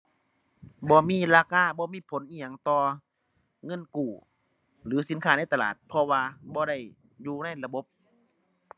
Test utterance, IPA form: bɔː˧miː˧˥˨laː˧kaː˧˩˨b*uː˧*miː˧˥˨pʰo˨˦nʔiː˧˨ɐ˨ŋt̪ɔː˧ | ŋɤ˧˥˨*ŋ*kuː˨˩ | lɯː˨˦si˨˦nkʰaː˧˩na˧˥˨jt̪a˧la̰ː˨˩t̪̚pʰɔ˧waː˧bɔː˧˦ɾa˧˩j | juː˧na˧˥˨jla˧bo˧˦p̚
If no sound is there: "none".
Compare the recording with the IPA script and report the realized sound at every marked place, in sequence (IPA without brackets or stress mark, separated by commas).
ɔː˧, n